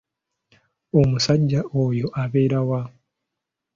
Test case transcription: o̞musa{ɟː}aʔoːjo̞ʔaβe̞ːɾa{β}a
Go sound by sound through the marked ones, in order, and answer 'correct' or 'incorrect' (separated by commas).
correct, incorrect